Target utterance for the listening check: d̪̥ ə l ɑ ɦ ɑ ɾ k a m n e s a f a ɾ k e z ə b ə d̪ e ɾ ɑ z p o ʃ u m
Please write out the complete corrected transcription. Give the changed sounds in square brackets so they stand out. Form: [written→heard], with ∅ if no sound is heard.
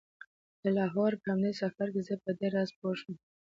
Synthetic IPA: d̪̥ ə l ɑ ɦ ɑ ɾ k a m n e s a f a ɾ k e z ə [b→p] ə d̪ e ɾ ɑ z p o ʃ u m